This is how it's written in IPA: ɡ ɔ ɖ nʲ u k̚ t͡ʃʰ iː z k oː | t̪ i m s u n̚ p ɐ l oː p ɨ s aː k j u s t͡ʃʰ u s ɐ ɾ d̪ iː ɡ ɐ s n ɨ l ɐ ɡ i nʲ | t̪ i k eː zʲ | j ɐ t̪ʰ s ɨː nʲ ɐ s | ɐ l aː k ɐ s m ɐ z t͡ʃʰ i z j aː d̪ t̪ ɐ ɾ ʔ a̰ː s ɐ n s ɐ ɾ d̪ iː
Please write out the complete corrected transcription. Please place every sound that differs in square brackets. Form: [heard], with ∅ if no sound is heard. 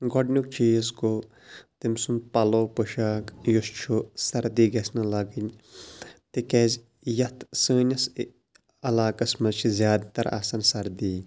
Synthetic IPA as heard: ɡ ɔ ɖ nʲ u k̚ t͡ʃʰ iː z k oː | t̪ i m s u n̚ p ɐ l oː p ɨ [ʃ] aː k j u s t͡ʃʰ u s ɐ ɾ d̪ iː ɡ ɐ s n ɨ l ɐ ɡ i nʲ | t̪ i k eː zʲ | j ɐ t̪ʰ s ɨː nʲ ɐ s | ɐ l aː k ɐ s m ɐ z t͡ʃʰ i z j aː d̪ t̪ ɐ ɾ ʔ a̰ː s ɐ n s ɐ ɾ d̪ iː